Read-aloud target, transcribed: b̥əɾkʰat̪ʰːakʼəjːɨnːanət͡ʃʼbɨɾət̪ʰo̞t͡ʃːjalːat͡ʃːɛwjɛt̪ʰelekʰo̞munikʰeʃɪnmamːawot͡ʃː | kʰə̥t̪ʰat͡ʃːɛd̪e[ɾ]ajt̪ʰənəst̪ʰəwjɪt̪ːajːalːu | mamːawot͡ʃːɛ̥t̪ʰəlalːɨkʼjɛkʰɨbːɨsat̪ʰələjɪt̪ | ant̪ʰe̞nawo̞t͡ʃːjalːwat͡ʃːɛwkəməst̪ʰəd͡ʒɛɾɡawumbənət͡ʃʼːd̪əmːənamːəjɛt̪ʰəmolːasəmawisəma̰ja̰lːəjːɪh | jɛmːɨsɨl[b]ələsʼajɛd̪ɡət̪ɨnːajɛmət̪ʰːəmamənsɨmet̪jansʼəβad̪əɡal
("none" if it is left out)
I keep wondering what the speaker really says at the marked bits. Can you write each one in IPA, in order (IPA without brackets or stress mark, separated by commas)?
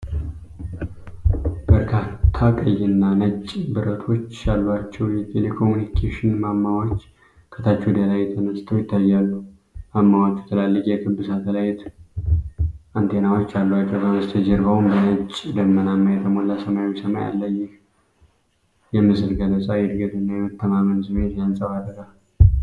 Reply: l, ɡ